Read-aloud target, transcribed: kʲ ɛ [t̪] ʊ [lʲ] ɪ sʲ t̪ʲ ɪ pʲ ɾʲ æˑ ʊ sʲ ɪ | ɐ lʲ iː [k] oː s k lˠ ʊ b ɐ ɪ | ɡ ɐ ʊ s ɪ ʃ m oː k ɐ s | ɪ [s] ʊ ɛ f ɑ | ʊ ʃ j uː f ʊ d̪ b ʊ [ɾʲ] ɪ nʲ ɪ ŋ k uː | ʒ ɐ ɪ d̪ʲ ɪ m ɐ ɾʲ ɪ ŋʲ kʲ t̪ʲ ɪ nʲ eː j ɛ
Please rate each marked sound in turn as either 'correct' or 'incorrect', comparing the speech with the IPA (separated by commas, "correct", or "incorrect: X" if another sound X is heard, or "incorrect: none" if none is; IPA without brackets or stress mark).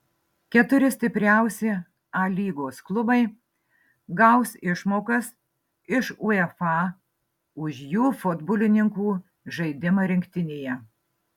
correct, incorrect: ɾʲ, incorrect: ɡ, incorrect: ʃ, incorrect: lʲ